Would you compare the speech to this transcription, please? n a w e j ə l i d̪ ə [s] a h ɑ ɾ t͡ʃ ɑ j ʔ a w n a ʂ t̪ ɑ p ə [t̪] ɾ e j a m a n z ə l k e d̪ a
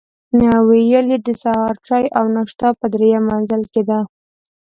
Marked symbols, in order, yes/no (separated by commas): yes, no